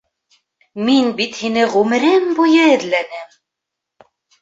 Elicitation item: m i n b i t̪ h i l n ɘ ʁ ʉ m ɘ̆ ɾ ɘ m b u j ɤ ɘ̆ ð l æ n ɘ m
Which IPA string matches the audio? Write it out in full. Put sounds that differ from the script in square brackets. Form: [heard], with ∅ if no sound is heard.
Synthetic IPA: m i n b i t̪ h i [∅] n ɘ ʁ ʉ m ɘ̆ ɾ ɘ m b u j ɤ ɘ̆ ð l æ n ɘ m

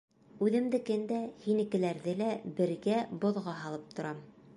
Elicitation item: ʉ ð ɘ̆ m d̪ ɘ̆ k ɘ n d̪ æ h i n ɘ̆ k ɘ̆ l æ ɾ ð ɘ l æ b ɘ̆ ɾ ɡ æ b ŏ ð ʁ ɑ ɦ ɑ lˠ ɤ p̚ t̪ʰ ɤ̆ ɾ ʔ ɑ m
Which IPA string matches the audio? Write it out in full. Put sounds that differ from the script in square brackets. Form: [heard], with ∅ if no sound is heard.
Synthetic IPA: ʉ ð ɘ̆ m d̪ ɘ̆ k ɘ n d̪ æ h i n ɘ̆ k ɘ̆ l æ ɾ ð ɘ l æ b ɘ̆ ɾ ɡ æ b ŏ ð ʁ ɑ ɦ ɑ lˠ ɤ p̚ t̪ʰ [ŏ] ɾ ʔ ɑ m

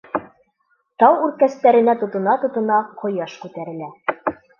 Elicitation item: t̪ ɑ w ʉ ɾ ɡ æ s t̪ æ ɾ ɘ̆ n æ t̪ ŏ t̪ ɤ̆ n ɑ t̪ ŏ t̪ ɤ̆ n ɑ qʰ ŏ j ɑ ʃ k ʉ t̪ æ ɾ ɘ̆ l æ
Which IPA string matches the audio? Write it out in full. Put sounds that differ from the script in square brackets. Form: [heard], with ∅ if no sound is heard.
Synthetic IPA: t̪ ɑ w ʉ ɾ [k] æ s t̪ æ ɾ ɘ̆ n æ t̪ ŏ t̪ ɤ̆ n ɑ t̪ ŏ t̪ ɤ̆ n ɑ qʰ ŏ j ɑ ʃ k ʉ t̪ æ ɾ ɘ̆ l æ

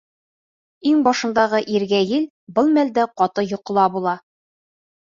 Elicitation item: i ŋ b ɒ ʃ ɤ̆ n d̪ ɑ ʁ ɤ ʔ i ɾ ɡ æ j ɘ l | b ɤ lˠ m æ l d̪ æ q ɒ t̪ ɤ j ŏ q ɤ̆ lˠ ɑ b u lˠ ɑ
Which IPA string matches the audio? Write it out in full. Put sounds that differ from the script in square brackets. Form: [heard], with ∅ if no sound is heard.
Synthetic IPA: i ŋ b ɒ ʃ ɤ̆ n d̪ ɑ ʁ ɤ ʔ i ɾ ɡ æ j ɘ l | b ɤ lˠ m æ l d̪ æ q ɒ t̪ ɤ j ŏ q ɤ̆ lˠ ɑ b u lˠ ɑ

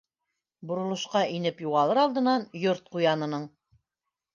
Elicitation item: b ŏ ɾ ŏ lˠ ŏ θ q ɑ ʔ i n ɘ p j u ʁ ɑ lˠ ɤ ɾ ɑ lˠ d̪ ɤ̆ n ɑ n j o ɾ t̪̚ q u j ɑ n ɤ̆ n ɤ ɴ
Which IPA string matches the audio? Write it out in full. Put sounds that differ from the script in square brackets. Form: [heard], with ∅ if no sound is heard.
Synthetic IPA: b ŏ ɾ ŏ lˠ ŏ [ʃ] q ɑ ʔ i n ɘ p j u ʁ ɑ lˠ ɤ ɾ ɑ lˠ d̪ ɤ̆ n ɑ n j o ɾ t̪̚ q u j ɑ n ɤ̆ n ɤ ɴ

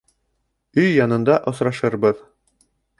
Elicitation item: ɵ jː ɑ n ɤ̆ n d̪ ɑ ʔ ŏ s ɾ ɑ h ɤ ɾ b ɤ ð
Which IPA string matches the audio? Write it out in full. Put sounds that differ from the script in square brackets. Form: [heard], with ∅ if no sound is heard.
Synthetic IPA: ɵ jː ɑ n ɤ̆ n d̪ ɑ ʔ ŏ s ɾ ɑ [ʃ] ɤ ɾ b ɤ ð

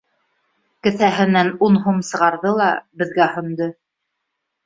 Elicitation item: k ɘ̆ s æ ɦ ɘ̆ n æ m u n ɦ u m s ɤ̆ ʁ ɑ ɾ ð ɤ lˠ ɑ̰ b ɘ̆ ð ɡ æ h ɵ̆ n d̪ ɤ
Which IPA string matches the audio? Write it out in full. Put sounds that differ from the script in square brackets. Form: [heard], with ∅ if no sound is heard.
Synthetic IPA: k ɘ̆ [θ] æ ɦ ɘ̆ n æ [n] u n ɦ u m s ɤ̆ ʁ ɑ ɾ ð ɤ lˠ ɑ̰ b ɘ̆ ð ɡ æ h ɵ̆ n d̪ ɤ

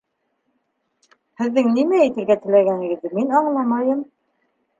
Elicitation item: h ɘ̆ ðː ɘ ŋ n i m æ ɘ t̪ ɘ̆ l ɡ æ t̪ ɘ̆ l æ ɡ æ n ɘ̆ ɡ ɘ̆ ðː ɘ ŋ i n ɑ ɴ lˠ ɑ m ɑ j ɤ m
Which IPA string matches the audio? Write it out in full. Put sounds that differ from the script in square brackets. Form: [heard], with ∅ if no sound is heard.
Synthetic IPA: h ɘ̆ ðː ɘ ŋ n i m æ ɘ t̪ ɘ̆ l ɡ æ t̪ ɘ̆ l æ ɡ æ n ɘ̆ ɡ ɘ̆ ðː ɘ [m] i n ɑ ɴ lˠ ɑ m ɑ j ɤ m

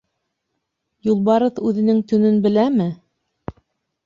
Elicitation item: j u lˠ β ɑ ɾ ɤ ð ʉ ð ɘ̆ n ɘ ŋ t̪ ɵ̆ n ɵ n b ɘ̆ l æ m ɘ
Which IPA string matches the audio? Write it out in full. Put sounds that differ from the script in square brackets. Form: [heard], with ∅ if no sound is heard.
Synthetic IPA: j u lˠ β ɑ ɾ ɤ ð ʉ ð ɘ̆ n ɘ ŋ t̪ ɵ̆ n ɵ n b ɘ̆ l æ m ɘ

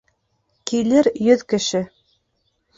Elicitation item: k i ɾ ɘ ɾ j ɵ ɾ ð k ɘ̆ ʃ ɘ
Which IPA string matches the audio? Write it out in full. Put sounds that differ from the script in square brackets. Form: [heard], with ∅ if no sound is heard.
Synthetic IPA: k i [l] ɘ ɾ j ɵ [∅] ð k ɘ̆ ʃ ɘ

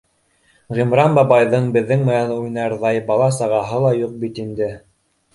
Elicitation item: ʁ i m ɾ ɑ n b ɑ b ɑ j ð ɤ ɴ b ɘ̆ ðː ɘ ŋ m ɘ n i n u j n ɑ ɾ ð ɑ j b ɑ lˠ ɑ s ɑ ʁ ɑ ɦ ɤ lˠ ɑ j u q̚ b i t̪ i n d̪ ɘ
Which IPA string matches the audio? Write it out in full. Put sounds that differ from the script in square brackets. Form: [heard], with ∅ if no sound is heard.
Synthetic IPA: ʁ i m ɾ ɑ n b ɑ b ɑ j ð ɤ ɴ b ɘ̆ ðː ɘ ŋ m ɘ n [æ] n u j n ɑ ɾ ð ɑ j b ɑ lˠ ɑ s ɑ ʁ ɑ ɦ ɤ lˠ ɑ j u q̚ b i t̪ i n d̪ ɘ

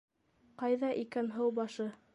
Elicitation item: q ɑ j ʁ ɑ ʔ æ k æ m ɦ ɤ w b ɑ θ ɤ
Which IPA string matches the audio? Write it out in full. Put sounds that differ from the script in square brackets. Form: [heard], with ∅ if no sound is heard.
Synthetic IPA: q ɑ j [ð] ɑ ʔ [i] k æ [n] ɦ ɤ w b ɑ [ʃ] ɤ

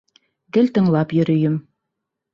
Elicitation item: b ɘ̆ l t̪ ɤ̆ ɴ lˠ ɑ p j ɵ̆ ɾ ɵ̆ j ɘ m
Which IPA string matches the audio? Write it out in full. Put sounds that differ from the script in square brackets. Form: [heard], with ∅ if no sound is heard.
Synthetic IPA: [ɡ] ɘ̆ l t̪ ɤ̆ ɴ lˠ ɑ p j ɵ̆ ɾ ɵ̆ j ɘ m

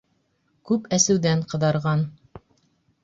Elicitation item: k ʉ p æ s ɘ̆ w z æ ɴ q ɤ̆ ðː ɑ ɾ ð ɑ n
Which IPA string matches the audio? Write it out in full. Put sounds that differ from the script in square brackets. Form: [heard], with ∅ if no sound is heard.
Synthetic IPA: k ʉ p æ s ɘ̆ w [ð] æ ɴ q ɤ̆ [ð] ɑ ɾ [ʁ] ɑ n

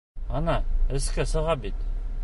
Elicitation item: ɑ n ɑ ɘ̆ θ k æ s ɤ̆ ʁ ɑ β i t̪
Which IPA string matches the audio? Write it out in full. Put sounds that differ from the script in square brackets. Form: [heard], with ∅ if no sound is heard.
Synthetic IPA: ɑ n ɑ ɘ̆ [s] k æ s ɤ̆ ʁ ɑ [b] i t̪

